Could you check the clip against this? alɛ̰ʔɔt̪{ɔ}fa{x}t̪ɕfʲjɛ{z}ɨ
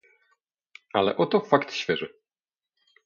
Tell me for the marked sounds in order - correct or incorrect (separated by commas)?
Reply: correct, incorrect, incorrect